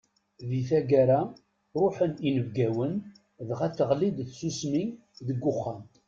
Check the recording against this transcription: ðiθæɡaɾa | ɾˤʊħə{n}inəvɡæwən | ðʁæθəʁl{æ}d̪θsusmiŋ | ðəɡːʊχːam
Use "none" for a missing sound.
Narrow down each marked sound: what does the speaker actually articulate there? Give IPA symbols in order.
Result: n, i

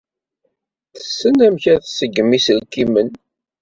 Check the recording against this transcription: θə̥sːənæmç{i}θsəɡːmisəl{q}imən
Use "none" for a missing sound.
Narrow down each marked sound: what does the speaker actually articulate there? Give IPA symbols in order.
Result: æ, k

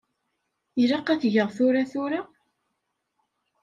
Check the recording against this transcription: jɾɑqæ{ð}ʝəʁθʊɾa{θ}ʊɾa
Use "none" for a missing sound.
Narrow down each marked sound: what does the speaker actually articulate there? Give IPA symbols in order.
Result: θ, θ

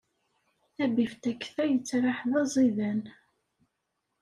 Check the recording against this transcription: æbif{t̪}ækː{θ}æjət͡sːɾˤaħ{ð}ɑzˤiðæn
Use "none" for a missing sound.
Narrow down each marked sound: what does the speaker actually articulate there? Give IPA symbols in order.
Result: t̪, θ, ð

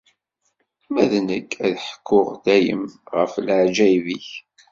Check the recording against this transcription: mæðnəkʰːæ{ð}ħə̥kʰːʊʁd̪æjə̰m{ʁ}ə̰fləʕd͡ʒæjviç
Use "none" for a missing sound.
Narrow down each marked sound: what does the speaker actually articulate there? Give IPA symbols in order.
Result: ð, ʁ

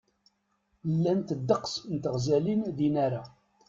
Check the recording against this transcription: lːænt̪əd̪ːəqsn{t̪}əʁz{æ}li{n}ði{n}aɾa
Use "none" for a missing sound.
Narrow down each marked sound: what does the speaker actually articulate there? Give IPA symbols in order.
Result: t̪, æ, n, n

